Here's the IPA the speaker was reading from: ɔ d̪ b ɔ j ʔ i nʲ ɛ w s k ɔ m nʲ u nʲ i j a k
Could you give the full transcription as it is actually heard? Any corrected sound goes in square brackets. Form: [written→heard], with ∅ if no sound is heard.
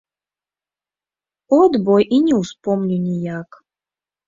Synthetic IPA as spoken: ɔ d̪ b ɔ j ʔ i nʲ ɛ w s [k→p] ɔ m nʲ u nʲ i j a k